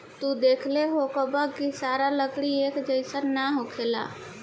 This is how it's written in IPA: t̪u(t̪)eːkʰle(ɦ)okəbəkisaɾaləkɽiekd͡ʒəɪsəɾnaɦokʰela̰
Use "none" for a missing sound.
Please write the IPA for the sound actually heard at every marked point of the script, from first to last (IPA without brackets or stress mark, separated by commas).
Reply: d̪, ɦ